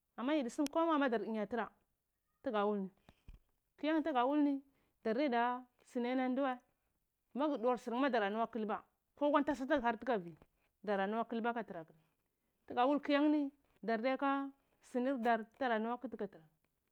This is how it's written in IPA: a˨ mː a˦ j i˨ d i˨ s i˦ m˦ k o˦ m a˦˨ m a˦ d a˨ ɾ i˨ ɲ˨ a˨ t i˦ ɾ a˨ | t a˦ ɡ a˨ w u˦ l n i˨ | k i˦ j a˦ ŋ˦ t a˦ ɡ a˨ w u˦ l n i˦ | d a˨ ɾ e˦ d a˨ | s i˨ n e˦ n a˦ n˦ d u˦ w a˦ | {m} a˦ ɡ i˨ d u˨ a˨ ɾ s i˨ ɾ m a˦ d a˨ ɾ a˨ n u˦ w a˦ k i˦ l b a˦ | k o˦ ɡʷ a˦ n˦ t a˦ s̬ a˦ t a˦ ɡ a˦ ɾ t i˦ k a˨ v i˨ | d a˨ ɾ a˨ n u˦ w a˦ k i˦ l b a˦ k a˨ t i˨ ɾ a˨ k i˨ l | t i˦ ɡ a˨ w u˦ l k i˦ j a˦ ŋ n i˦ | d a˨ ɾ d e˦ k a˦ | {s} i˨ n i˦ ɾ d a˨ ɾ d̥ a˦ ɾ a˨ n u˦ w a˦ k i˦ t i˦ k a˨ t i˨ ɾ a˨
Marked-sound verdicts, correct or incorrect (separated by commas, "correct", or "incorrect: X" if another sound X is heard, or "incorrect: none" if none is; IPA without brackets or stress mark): correct, correct